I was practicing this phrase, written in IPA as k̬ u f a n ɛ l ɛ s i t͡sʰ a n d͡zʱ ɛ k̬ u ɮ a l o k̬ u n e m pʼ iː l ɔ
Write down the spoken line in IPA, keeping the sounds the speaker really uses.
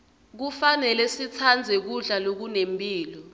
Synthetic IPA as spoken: k̬ u f a n ɛ l ɛ s i t͡sʰ a n d͡zʱ ɛ k̬ u ɮ a l o k̬ u n e m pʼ iː l ɔ

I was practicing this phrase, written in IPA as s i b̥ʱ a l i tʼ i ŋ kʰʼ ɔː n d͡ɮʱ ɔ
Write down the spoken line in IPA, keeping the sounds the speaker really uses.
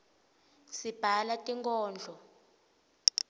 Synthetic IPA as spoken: s i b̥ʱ a l a tʼ i ŋ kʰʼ ɔː n d͡ɮʱ ɔ

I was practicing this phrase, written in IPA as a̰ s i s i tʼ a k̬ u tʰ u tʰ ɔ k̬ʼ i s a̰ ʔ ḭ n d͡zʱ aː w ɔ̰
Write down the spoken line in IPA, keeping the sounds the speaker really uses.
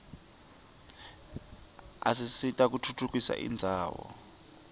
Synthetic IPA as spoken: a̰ s i s i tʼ a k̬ u tʰ u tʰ u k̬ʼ i s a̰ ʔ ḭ n d͡zʱ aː w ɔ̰

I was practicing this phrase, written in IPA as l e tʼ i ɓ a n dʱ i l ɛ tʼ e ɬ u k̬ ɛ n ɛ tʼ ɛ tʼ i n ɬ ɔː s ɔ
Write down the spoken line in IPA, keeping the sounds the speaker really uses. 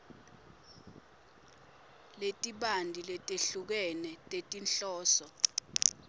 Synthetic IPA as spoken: l e tʼ i ɓ a n dʱ i l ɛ tʼ e ɬ u k̬ ɛ n ɛ tʼ e tʼ i n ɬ ɔː s ɔ

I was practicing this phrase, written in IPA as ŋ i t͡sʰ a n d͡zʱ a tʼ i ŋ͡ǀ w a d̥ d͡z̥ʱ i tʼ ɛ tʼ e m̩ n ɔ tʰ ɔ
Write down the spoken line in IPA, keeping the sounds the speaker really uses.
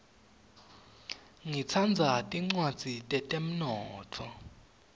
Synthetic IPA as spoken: ŋ i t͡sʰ a n d͡zʱ a tʼ i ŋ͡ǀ w a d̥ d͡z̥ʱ i tʼ ɛ tʼ e m̩ n ɔː tʰ ɔ

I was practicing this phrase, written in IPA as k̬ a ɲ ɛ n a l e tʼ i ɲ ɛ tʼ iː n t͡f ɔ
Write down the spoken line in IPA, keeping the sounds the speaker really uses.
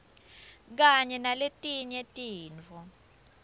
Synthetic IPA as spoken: k̬ a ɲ ɛ n a l e tʼ i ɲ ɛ tʼ iː n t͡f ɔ

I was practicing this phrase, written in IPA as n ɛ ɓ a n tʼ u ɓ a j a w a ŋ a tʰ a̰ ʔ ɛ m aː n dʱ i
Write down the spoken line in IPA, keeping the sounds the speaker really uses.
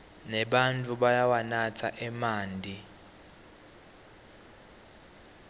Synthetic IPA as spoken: n ɛ ɓ a n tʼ u ɓ a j a w a n a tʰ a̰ ʔ ɛ m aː n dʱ i

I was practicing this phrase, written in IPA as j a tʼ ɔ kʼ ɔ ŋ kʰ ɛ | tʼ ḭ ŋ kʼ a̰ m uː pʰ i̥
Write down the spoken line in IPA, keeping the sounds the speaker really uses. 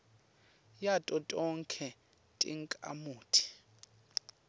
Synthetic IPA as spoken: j a tʼ ɔ tʼ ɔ ŋ kʰ ɛ | tʼ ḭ ŋ kʼ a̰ m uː tʰ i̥

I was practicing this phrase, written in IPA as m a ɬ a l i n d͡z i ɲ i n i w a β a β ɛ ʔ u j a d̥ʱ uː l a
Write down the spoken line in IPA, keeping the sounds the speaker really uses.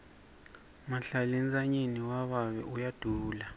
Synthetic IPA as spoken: m a ɬ a l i n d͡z a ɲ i n i w a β a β ɛ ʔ u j a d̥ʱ uː l a

